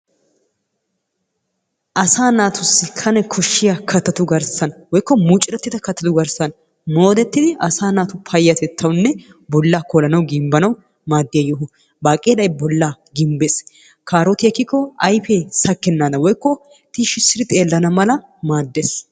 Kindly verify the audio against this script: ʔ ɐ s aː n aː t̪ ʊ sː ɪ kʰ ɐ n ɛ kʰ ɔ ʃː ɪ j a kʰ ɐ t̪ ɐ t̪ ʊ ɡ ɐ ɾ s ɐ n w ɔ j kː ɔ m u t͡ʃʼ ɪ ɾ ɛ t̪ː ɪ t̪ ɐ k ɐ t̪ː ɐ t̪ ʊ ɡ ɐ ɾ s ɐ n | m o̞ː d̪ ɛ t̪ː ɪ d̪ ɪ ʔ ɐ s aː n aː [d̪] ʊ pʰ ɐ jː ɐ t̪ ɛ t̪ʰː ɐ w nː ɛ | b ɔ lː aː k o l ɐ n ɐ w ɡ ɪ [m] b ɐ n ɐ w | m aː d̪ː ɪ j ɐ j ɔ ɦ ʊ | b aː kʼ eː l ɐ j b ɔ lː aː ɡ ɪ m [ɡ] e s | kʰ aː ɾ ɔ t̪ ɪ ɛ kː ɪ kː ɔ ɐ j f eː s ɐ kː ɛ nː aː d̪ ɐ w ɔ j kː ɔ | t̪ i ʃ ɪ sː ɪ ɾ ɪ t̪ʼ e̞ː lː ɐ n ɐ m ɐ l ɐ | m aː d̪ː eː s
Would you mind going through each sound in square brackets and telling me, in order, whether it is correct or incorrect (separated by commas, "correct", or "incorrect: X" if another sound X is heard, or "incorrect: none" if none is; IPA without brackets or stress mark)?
incorrect: t̪, correct, incorrect: b